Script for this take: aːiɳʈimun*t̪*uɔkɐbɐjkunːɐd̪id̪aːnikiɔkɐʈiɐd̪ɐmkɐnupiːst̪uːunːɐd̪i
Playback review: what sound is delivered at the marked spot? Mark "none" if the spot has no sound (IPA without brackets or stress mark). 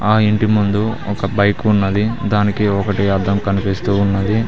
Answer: d̪